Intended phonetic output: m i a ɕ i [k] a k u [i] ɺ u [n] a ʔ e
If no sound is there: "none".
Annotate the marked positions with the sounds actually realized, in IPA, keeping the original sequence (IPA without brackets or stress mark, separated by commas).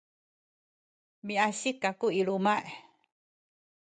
k, i, m